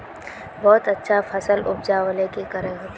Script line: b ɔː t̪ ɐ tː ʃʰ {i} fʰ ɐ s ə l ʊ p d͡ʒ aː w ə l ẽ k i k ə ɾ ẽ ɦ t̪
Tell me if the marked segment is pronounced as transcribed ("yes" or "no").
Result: no